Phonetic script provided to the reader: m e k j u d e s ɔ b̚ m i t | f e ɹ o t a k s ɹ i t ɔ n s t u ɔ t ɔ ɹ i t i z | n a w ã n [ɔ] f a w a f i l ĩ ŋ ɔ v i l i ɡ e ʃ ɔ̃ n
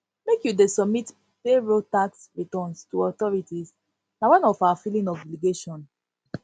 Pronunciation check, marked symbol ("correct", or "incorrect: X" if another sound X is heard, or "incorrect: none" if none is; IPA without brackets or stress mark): correct